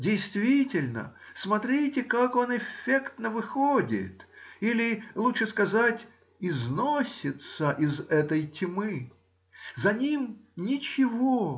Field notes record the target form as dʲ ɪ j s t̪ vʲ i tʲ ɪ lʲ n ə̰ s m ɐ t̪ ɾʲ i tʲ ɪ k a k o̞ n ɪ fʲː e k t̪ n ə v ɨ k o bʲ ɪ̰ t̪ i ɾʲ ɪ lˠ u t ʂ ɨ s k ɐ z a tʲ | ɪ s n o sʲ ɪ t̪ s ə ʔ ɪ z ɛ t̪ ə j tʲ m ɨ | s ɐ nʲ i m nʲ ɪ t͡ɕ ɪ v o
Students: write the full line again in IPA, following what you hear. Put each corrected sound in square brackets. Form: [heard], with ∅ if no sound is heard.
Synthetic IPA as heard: dʲ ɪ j s t̪ vʲ i tʲ ɪ lʲ n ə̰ s m ɐ t̪ ɾʲ i tʲ ɪ k a k o̞ n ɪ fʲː e k t̪ n ə v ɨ [x] o [dʲ] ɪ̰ t̪ i [lʲ] ɪ lˠ u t ʂ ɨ s k ɐ z a tʲ | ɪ [z] n o sʲ ɪ t̪ s ə ʔ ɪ z ɛ t̪ ə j tʲ m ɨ | [z] ɐ nʲ i m nʲ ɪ t͡ɕ ɪ v o